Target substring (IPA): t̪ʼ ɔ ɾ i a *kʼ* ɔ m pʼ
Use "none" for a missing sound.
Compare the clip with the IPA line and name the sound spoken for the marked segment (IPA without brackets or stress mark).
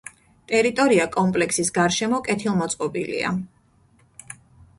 kʼ